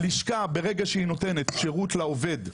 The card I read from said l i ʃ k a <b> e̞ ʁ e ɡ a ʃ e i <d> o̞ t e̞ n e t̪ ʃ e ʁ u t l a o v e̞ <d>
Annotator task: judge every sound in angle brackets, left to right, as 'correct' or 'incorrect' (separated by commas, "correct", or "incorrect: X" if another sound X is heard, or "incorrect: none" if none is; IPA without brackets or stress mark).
correct, incorrect: n, correct